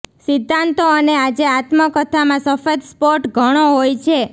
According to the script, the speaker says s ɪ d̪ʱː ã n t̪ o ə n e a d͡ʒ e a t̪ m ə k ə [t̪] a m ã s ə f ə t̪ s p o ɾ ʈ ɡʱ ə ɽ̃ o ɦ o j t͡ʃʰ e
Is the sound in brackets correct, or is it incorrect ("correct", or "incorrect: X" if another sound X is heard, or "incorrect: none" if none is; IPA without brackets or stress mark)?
incorrect: t̪ʰ